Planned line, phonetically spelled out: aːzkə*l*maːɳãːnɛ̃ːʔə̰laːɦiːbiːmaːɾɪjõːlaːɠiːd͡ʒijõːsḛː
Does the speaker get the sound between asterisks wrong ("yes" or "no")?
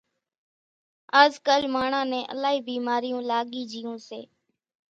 no